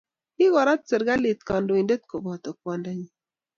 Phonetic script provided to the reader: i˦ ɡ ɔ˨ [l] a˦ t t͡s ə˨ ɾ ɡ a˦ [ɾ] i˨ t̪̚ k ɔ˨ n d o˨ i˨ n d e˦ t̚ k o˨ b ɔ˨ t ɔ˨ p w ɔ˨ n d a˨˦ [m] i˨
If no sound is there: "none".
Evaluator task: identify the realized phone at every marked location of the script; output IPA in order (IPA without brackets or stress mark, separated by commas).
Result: ɾ, l, ɲ